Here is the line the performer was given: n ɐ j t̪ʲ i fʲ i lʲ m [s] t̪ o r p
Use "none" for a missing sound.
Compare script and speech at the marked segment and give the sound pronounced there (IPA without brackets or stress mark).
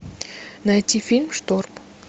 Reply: ʂ